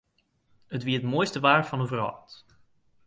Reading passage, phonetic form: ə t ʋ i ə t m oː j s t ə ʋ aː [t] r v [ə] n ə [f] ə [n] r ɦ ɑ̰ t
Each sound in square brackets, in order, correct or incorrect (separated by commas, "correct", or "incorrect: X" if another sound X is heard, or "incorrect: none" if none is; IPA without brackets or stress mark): incorrect: none, incorrect: ɑ, incorrect: v, incorrect: none